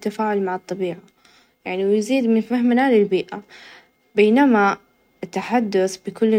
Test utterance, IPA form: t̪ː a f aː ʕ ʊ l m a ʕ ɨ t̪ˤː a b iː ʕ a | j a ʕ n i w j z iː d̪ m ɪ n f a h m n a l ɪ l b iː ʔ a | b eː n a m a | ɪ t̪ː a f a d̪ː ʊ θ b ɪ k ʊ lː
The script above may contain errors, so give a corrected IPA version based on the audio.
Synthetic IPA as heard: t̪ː a f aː ʕ ʊ l m a ʕ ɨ t̪ˤː ɑ b iː ʕ a | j a ʕ n i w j z iː d̪ m ɪ n f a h m n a l ɪ l b iː ʔ a | b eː n a m a | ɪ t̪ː a ħ a d̪ː ʊ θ b ɪ k ʊ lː